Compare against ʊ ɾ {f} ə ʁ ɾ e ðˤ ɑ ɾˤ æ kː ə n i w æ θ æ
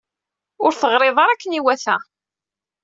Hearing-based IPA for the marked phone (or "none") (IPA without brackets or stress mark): θ